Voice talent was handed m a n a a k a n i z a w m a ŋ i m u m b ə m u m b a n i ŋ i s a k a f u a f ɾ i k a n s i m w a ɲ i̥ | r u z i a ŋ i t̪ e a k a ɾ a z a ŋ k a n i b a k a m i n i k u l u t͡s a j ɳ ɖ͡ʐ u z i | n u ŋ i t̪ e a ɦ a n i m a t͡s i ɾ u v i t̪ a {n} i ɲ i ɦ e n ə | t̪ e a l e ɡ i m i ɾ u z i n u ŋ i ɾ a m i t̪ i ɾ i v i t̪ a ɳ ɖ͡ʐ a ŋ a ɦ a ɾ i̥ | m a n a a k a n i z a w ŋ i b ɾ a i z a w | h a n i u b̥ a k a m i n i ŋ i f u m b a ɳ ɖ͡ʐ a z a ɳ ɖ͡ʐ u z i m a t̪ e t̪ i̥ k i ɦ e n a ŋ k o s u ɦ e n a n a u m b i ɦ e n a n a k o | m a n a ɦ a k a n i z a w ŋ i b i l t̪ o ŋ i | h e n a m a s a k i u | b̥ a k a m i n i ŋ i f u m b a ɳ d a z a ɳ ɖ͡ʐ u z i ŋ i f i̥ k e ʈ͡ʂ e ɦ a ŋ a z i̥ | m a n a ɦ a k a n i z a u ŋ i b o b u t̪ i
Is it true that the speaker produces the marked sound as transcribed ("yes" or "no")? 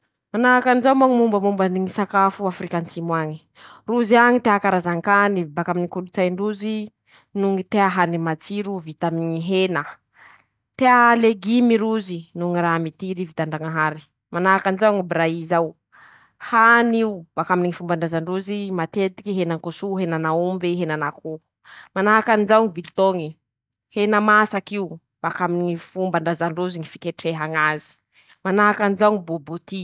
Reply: no